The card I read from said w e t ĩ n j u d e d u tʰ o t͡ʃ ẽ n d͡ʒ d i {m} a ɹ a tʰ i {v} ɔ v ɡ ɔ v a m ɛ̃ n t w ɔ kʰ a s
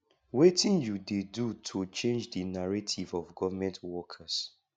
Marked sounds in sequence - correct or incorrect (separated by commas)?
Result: incorrect, correct